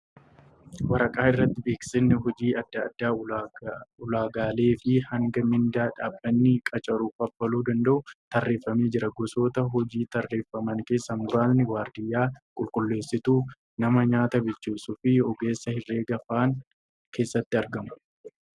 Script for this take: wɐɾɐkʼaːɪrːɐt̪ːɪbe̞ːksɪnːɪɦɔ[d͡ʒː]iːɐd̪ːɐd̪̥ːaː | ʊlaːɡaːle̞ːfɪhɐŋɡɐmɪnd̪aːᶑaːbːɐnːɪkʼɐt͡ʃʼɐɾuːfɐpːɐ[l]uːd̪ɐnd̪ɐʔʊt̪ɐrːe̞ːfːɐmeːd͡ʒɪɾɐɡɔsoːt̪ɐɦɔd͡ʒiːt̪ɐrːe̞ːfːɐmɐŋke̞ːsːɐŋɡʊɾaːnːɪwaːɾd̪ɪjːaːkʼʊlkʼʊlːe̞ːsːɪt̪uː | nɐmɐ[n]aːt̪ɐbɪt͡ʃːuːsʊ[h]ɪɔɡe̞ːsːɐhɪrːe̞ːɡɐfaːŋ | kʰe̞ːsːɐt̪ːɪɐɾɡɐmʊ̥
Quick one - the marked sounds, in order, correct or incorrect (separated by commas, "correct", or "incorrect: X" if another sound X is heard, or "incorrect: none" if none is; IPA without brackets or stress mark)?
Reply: incorrect: d͡ʒ, correct, incorrect: ɲ, incorrect: f